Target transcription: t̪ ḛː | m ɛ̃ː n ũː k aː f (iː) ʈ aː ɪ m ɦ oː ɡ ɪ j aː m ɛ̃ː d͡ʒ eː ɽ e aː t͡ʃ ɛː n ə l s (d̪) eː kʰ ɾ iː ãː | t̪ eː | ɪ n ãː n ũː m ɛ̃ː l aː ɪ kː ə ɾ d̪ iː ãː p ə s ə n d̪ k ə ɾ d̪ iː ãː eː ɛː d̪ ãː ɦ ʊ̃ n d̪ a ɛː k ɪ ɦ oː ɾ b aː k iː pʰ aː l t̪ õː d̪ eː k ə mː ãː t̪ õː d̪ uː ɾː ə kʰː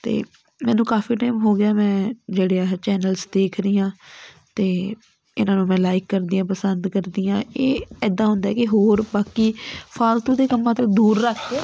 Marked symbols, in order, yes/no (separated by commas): yes, yes